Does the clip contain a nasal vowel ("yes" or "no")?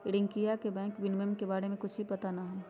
yes